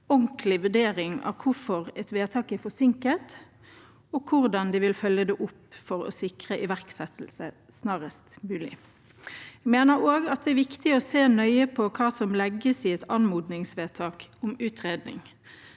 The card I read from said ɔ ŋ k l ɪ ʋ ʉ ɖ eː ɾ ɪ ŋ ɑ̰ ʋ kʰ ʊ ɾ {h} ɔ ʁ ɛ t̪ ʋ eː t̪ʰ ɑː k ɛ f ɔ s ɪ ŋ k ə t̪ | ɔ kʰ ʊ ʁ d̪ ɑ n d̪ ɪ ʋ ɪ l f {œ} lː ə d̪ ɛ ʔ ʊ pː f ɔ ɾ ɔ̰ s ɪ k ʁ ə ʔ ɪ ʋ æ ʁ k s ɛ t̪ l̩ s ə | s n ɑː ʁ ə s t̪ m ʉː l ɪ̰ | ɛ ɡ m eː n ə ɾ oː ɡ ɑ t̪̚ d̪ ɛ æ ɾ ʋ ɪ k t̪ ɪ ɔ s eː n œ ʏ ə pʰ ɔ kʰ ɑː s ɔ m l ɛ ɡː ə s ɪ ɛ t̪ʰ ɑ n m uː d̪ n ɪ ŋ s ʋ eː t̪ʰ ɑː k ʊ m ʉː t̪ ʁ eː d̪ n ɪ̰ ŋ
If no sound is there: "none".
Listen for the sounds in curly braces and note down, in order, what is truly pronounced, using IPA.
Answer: f, œ

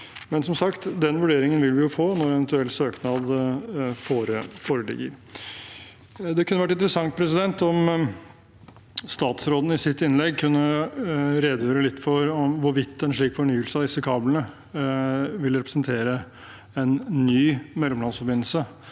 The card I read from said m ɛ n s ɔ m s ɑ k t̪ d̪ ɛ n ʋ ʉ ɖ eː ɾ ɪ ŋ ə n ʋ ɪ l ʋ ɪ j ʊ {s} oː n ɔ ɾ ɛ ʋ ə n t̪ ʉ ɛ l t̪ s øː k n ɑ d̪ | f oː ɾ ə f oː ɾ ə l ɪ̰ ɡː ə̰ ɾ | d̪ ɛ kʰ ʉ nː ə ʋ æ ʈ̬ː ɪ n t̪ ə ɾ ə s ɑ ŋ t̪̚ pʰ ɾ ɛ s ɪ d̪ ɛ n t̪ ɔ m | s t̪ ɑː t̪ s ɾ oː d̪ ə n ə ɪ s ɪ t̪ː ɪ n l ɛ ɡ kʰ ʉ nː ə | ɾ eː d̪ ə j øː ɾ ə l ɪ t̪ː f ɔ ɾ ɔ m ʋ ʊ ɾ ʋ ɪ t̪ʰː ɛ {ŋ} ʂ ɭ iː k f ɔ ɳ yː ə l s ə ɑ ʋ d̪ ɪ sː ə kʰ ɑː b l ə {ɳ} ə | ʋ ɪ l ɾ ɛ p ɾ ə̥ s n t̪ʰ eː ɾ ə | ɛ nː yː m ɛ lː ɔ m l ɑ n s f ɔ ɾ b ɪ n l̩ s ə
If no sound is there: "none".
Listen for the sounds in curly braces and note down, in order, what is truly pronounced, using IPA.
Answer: f, n, n

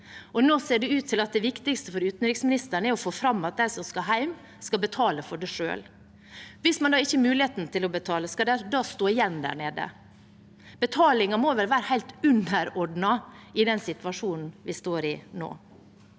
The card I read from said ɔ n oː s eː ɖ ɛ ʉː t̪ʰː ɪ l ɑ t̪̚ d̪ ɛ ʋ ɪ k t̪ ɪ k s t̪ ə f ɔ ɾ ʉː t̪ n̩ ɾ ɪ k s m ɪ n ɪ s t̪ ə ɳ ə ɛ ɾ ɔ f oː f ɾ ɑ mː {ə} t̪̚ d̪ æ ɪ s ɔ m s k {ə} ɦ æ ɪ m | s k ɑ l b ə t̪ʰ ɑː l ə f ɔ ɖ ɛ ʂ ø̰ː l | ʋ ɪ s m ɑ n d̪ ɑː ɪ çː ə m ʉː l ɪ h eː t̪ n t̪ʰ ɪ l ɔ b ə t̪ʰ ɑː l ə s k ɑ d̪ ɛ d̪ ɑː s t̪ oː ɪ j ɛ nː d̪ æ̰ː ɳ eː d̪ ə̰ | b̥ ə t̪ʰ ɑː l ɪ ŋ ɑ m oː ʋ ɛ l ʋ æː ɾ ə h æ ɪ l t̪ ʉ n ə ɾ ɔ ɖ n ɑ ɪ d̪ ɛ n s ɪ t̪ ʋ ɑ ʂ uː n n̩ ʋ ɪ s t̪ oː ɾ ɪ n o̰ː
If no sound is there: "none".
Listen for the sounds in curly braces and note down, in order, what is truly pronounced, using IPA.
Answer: ɑ, ɑ

